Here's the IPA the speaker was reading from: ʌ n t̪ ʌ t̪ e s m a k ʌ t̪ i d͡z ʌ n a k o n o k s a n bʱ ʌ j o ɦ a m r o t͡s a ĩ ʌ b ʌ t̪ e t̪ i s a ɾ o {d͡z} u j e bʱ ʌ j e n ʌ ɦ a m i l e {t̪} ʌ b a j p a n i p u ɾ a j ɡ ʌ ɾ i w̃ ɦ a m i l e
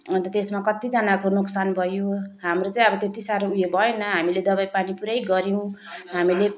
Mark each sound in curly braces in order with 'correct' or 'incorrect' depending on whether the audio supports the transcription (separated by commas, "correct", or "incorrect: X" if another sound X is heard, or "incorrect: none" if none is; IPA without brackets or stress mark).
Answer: incorrect: none, incorrect: d̪